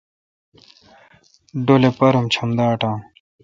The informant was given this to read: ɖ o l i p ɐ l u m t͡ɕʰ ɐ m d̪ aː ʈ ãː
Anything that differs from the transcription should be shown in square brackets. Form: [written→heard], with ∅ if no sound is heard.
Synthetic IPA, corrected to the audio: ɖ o l [i→e] p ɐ [l→ɾ] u m t͡ɕʰ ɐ m d̪ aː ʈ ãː